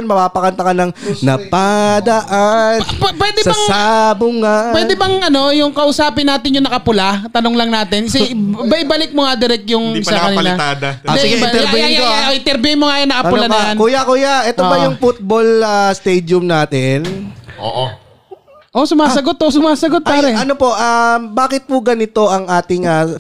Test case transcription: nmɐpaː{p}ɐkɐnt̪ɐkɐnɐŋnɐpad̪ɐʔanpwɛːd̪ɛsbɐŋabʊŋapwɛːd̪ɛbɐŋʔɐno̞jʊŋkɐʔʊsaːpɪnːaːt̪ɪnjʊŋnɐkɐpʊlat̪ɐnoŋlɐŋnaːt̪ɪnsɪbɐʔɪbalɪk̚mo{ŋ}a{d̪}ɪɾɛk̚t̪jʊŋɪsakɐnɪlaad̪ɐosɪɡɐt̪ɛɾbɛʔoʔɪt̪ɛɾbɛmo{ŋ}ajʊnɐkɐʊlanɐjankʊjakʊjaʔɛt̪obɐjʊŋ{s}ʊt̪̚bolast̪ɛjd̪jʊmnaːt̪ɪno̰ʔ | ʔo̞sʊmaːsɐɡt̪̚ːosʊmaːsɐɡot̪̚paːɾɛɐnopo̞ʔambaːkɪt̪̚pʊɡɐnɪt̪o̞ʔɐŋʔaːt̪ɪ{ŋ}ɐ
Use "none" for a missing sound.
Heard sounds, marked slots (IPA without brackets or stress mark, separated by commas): p, ŋ, d̪, ŋ, f, ŋ